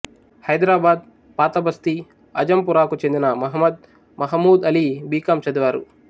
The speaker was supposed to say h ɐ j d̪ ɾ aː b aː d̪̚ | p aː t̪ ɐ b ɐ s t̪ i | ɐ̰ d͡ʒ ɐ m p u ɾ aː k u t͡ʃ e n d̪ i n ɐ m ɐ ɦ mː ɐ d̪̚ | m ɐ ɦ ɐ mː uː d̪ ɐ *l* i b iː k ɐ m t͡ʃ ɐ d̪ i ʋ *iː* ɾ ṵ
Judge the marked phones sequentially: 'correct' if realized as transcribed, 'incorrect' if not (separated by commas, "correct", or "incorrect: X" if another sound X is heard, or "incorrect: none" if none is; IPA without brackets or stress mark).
correct, incorrect: aː